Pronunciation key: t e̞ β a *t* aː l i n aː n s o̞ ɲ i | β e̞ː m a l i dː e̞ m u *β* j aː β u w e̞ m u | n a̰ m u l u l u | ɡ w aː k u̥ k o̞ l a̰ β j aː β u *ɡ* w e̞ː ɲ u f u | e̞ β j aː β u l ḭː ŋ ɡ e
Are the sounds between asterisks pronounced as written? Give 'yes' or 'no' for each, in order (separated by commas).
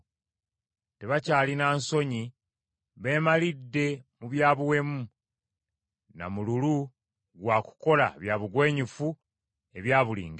no, yes, yes